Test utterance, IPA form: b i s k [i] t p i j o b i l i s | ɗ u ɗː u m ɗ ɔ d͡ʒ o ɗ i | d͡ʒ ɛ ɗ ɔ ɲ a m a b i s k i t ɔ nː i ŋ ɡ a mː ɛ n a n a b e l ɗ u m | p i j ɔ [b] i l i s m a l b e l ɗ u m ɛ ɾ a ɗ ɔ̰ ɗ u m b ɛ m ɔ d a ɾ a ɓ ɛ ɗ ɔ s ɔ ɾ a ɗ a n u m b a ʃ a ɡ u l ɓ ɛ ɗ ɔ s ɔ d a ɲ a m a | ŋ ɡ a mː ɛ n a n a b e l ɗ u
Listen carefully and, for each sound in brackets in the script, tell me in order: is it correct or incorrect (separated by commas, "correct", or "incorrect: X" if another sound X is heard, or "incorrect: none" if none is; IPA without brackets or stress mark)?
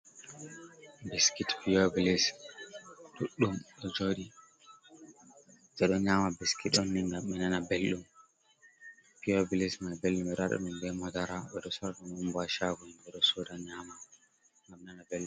correct, correct